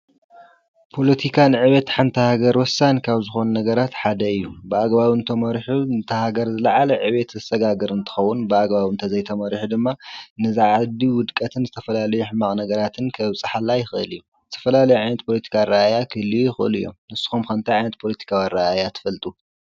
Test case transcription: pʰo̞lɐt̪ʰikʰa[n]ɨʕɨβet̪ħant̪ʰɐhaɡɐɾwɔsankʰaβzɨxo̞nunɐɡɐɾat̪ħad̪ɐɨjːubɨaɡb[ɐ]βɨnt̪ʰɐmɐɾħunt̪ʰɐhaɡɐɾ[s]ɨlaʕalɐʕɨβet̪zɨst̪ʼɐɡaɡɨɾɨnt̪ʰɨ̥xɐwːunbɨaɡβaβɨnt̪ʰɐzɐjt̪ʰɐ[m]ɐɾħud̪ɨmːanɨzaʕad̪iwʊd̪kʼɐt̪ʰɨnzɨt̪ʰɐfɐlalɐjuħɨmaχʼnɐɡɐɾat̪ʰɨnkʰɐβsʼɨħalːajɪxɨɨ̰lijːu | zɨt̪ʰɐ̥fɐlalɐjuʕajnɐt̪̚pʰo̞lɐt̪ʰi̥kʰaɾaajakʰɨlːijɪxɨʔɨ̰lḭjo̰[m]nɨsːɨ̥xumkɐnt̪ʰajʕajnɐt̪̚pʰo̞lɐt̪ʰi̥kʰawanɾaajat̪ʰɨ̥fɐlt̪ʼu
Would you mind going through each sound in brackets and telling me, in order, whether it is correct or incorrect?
correct, incorrect: a, incorrect: z, correct, correct

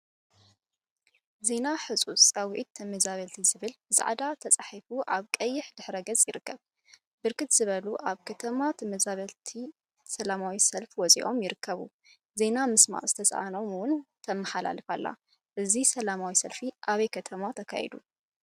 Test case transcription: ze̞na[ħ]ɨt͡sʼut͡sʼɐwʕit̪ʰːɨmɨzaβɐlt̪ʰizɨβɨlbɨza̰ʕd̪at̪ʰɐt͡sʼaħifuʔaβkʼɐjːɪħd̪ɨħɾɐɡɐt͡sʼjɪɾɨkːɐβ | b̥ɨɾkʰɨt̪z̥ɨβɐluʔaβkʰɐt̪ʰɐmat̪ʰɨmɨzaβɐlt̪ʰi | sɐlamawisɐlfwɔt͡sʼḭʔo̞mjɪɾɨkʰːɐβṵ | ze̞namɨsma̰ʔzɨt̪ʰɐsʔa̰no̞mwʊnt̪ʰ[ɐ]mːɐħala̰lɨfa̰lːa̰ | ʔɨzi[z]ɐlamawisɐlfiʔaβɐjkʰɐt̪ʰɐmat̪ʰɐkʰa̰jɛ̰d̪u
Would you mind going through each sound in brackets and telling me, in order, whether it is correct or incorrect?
correct, correct, incorrect: s

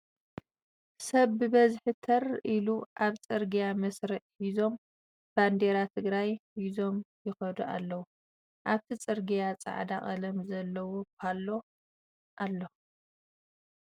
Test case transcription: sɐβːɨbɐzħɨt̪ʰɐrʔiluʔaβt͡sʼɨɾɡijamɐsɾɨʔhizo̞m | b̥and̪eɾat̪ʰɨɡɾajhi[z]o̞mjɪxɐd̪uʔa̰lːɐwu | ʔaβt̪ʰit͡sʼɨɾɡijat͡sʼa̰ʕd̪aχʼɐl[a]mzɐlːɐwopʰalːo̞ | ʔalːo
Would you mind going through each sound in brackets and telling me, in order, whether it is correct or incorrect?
correct, incorrect: ɐ

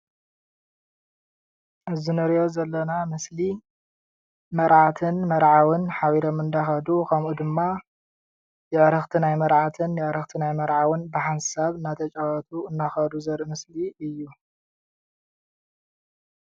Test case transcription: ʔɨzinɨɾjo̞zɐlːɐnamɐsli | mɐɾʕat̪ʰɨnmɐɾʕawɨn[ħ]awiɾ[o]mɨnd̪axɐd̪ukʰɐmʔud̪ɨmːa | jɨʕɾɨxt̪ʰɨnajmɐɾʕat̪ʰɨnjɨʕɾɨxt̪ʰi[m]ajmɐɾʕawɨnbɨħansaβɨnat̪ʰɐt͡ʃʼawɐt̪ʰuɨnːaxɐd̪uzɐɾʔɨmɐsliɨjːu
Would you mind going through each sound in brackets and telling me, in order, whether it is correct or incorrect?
correct, correct, incorrect: n

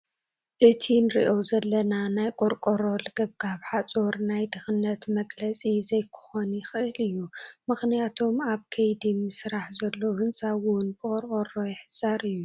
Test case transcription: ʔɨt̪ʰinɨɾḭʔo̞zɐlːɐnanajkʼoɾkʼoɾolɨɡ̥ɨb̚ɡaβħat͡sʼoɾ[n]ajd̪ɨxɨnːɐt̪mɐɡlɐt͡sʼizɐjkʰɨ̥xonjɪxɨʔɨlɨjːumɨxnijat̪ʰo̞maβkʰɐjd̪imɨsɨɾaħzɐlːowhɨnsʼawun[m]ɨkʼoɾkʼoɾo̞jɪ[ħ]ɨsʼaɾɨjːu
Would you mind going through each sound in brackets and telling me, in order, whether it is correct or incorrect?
correct, incorrect: b, correct

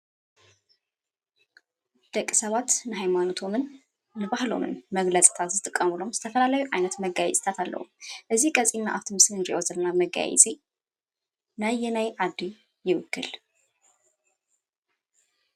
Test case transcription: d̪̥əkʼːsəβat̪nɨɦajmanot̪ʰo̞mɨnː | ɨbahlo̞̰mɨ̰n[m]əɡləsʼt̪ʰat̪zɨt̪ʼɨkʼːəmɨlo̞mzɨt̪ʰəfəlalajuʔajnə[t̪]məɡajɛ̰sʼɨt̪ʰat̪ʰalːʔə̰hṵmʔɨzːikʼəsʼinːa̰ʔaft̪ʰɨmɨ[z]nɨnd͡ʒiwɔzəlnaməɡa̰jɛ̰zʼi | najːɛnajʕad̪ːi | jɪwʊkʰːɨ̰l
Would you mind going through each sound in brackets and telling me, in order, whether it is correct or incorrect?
correct, correct, incorrect: s

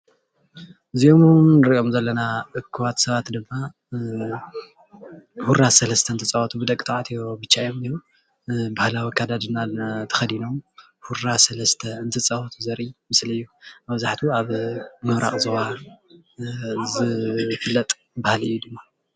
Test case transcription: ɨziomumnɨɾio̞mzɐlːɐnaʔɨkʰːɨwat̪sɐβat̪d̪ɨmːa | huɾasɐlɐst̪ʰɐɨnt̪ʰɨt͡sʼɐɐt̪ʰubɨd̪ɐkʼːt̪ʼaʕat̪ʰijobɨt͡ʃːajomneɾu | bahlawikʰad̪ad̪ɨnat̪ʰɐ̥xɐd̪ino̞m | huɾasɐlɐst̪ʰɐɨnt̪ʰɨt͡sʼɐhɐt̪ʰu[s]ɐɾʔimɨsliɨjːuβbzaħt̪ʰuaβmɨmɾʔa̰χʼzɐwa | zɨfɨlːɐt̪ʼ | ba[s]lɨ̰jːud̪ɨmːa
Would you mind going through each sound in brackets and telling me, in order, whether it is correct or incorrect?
incorrect: z, incorrect: h

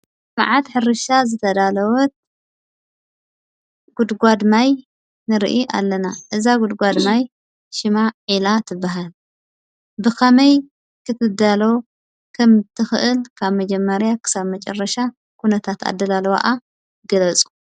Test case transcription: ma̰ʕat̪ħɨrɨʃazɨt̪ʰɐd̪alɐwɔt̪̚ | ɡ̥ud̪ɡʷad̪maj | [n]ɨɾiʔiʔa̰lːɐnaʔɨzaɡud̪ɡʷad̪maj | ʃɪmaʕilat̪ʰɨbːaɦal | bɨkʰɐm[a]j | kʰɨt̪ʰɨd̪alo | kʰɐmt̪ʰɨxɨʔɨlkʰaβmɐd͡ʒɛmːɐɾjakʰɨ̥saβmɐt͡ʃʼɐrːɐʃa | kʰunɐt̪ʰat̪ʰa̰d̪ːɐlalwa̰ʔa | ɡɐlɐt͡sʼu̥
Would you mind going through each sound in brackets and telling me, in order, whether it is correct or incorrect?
correct, incorrect: ɐ

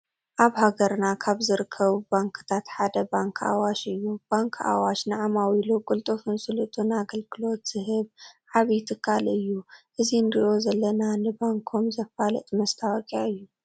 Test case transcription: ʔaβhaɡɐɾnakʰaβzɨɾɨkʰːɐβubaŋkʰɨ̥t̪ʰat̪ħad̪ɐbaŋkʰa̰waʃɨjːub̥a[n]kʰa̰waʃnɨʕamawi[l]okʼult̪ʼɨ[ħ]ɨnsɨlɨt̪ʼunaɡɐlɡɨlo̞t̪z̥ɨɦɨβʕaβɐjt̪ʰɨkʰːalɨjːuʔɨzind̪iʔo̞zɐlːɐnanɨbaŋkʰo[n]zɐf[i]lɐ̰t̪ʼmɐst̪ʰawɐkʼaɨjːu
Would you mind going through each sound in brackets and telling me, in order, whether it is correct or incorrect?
incorrect: ŋ, correct, incorrect: f, incorrect: m, incorrect: a

